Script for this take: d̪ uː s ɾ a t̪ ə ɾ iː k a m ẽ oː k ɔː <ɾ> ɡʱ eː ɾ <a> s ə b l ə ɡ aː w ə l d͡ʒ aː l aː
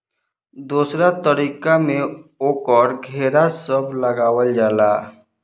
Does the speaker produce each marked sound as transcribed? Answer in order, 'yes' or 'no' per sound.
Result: yes, yes

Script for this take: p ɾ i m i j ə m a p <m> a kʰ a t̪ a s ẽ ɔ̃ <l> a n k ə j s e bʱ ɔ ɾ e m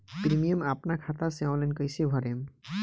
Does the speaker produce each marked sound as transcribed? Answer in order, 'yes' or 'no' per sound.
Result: no, yes

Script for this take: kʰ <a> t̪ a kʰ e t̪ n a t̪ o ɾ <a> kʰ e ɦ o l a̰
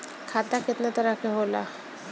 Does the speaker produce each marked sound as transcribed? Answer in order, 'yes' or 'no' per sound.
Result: yes, yes

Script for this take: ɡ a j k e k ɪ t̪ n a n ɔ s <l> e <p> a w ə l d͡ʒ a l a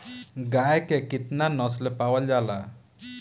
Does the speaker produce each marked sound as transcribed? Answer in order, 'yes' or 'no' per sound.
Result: yes, yes

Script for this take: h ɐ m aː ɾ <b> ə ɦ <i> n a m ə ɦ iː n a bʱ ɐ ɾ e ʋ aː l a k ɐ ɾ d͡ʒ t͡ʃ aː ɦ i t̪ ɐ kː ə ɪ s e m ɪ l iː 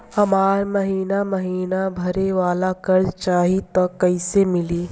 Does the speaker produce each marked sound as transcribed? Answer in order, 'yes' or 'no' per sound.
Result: no, no

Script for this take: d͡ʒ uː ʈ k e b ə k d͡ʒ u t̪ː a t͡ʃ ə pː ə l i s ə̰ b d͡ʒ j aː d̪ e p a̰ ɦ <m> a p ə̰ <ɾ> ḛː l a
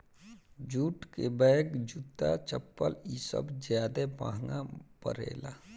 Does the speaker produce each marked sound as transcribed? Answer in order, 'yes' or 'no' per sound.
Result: no, yes

